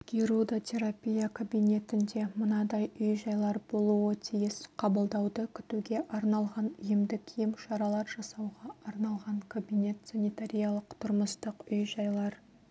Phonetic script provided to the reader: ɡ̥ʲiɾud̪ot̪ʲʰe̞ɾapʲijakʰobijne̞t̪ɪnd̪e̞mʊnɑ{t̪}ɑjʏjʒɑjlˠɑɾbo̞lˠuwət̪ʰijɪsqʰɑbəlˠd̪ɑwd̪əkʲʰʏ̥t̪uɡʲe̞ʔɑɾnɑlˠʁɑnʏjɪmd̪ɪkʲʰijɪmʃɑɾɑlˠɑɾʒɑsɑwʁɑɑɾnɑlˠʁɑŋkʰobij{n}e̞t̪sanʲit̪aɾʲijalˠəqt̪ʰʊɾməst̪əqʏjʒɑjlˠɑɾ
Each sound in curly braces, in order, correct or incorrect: incorrect: d̪, correct

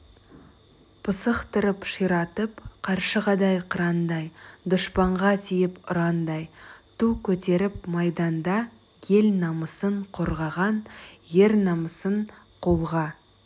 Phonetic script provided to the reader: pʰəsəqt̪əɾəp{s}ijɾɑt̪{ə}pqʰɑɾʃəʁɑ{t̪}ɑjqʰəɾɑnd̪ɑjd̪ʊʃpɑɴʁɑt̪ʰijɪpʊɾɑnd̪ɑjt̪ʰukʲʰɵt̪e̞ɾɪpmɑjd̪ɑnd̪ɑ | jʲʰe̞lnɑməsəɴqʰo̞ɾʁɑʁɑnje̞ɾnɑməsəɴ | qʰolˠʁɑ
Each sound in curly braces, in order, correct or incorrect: incorrect: ʃ, correct, incorrect: d̪

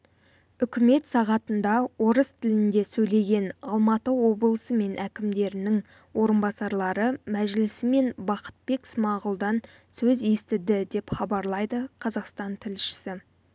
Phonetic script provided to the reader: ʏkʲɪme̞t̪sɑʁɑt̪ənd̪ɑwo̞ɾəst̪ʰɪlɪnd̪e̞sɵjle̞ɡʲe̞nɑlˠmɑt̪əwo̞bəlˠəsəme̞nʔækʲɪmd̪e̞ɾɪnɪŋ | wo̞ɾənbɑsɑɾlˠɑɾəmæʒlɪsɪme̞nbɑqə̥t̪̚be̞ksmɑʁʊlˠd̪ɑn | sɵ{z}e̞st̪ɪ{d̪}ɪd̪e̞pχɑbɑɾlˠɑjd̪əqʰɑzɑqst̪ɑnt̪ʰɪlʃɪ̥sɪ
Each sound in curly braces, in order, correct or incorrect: correct, correct

